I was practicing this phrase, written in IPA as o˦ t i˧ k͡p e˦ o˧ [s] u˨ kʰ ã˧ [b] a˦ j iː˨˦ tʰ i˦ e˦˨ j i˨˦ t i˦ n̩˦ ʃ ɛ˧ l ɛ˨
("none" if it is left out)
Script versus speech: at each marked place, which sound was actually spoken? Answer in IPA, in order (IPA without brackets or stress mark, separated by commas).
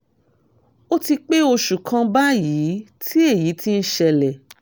ʃ, b